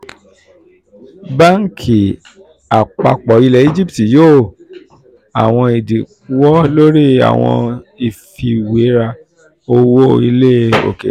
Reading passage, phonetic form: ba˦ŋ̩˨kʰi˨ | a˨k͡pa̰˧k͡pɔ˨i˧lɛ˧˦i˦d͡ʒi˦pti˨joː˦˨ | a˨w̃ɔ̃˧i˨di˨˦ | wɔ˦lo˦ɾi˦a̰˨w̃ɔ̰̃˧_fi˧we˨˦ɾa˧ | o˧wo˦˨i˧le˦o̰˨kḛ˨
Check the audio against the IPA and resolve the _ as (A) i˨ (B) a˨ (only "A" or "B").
A